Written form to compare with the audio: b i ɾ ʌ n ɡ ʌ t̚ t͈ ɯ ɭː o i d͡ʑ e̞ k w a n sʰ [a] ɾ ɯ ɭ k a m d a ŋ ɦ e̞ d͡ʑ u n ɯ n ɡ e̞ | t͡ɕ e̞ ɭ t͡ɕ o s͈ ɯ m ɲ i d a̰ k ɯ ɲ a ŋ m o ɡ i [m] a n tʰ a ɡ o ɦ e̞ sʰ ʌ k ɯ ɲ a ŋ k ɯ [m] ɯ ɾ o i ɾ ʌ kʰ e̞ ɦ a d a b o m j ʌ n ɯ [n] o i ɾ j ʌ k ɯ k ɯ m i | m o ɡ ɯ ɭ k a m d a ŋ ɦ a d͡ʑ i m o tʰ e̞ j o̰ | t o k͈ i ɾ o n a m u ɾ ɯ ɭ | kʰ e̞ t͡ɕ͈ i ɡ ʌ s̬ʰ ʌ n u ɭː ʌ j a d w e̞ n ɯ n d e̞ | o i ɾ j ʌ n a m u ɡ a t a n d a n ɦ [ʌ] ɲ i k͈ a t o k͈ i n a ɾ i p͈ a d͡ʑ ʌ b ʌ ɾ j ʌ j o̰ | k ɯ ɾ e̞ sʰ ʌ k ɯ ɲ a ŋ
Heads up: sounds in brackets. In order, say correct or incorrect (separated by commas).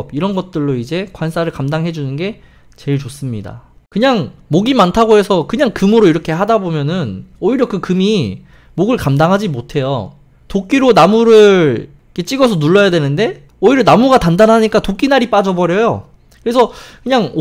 correct, correct, correct, correct, incorrect